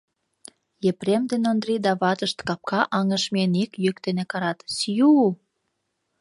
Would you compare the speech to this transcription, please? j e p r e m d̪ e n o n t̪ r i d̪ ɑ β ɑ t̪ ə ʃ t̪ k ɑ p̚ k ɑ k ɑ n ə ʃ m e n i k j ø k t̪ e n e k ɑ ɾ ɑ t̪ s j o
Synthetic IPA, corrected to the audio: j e p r e m d̪ e n o n d̪ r i d̪ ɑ β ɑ t̪ ə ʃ t̪ k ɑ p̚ k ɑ ʔ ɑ ŋ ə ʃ m e n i k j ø k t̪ e n e k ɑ ɾ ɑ t̪ s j u